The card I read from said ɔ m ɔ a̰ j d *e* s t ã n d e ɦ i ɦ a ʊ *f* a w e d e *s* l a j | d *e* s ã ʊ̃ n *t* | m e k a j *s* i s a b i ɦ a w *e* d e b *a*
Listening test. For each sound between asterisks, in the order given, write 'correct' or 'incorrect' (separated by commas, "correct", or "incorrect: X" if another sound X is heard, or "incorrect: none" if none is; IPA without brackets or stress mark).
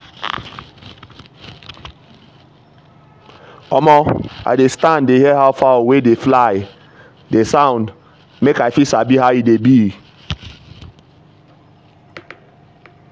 correct, correct, incorrect: f, correct, incorrect: d, incorrect: f, incorrect: i, incorrect: i